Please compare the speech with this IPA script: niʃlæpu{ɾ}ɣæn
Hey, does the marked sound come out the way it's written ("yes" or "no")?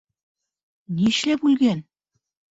no